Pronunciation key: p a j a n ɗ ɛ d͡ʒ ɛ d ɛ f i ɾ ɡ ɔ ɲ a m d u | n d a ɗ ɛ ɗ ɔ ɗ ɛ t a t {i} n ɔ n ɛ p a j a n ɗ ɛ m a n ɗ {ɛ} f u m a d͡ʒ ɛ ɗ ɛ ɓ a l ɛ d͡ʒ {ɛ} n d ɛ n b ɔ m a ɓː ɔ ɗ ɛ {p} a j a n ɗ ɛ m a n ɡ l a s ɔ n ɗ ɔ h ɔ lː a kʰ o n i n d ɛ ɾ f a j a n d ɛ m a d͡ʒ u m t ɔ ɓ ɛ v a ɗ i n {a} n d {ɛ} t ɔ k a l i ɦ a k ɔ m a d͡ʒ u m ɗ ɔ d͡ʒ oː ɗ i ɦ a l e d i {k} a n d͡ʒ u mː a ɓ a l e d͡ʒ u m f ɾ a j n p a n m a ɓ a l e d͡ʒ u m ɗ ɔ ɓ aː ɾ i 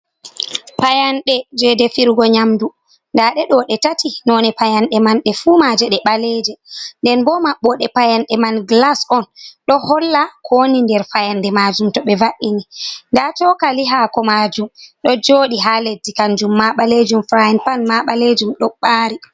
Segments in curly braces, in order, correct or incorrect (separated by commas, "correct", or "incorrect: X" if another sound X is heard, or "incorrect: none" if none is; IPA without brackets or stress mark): correct, correct, correct, correct, incorrect: i, incorrect: a, correct